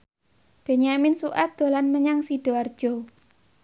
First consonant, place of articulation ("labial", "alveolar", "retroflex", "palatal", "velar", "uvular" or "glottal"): labial